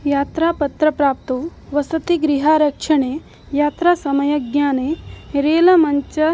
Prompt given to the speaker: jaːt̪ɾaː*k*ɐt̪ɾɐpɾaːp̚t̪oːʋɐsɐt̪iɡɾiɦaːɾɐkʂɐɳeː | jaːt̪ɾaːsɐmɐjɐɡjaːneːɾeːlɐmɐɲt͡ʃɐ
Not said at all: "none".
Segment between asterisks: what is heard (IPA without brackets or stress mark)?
p